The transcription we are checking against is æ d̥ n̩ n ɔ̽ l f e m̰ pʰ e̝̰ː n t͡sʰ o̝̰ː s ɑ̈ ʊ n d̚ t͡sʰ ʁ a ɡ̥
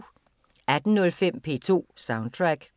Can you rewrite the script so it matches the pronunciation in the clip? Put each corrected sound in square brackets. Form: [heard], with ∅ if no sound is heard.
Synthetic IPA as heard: æ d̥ n̩ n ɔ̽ l f e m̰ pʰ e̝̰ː [∅] t͡sʰ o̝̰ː s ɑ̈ ʊ n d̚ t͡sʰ ʁ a ɡ̥